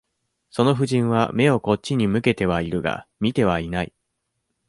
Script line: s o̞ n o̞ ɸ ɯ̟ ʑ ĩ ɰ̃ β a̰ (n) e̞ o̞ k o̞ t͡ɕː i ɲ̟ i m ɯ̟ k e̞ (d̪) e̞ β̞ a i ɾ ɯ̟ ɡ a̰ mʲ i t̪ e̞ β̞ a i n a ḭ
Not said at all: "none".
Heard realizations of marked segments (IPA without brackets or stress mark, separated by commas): m, t̪